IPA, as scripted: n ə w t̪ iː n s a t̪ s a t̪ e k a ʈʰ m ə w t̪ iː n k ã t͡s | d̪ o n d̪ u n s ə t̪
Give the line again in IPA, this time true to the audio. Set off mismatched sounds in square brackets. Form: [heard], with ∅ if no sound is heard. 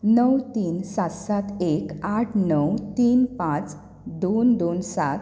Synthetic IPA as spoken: n ə w t̪ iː n s a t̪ s a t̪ e k a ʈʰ [n] ə w t̪ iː n [p] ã t͡s | d̪ o n d̪ [o] n s [a] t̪